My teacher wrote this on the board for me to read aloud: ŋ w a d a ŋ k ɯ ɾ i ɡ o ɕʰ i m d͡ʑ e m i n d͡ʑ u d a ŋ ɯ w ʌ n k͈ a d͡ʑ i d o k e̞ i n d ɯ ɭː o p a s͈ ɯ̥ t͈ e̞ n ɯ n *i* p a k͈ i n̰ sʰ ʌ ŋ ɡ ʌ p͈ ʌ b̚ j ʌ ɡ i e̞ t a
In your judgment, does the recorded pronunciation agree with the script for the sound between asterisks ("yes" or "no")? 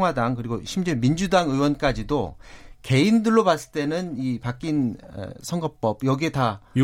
yes